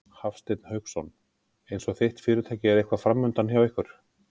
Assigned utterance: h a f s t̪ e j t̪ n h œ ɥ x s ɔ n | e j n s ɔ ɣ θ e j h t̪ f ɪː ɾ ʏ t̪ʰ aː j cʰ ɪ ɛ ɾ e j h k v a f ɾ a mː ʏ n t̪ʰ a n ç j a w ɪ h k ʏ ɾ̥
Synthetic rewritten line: h a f s t̪ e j t̪ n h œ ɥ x s ɔ n | e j n s ɔ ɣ θ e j h t̪ f ɪː ɾ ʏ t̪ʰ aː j c ɪ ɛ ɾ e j h k v a f ɾ a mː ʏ n t̪ a n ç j a w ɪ h k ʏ ɾ̥